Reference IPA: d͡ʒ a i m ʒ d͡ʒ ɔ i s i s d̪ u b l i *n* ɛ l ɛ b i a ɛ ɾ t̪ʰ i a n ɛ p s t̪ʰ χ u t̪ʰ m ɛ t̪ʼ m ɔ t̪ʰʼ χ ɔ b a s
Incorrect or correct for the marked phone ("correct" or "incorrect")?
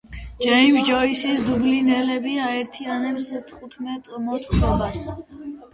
correct